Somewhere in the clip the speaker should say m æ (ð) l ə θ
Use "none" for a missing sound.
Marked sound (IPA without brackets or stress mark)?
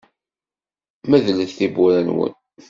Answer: ð